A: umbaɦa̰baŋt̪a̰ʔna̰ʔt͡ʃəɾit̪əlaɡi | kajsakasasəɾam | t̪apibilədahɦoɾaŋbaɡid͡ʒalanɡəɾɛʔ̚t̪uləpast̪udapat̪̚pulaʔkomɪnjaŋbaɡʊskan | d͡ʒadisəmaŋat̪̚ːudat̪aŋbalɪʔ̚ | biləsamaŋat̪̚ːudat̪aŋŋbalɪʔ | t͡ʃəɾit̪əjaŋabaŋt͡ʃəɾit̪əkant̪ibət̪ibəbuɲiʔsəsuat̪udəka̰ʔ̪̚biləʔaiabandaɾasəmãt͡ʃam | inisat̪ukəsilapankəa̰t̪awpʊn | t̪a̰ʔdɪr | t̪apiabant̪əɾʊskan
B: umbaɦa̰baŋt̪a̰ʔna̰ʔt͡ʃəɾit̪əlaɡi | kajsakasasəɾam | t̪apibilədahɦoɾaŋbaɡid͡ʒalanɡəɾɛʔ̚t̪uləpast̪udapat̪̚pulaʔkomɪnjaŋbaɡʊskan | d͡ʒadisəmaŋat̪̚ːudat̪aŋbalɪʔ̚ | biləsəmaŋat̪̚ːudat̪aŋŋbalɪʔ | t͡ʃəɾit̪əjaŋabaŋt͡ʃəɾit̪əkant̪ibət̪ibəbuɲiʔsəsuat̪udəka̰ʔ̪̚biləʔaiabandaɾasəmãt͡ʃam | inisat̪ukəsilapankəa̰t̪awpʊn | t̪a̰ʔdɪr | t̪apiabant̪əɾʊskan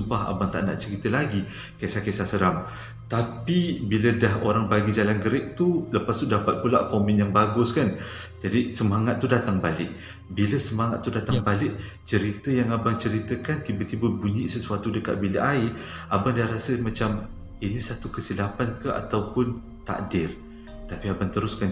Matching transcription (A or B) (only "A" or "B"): B